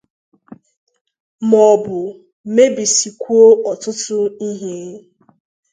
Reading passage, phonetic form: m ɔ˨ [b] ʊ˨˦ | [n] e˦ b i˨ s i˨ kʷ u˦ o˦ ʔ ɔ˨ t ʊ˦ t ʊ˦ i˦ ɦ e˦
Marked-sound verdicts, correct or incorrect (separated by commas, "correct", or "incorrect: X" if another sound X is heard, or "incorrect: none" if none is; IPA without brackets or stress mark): correct, incorrect: m